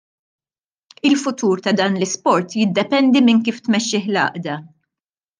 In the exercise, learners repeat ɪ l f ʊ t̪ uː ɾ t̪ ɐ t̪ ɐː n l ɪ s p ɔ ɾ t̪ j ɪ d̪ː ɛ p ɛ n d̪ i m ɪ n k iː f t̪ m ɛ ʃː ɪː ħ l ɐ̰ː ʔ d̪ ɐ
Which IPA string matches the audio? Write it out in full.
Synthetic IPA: ɪ l f ʊ t̪ uː ɾ t̪ ɐ d̪ ɐː n l ɪ s p ɔ ɾ t̪ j ɪ d̪ː ɛ p ɛ n d̪ i m ɪ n k iː f t̪ m ɛ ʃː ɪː ħ l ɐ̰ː ʔ d̪ ɐ